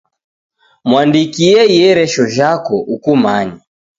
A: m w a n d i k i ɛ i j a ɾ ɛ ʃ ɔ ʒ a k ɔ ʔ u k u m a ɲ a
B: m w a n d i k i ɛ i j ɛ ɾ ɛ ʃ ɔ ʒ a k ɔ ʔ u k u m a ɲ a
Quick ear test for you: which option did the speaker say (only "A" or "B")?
B